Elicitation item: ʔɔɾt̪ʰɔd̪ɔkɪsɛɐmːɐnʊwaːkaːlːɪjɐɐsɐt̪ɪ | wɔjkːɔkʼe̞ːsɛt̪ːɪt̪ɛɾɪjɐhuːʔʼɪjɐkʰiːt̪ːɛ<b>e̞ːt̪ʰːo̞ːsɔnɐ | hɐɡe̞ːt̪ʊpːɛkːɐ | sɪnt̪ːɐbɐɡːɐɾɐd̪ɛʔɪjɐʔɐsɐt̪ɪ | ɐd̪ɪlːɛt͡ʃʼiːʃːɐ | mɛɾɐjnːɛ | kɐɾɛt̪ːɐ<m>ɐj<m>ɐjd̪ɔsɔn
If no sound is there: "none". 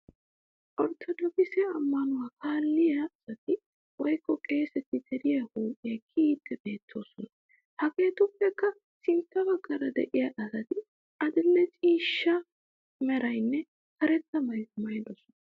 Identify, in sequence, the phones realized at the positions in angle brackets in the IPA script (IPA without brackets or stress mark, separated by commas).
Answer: b, m, m